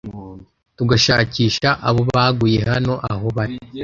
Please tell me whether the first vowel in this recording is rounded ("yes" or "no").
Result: yes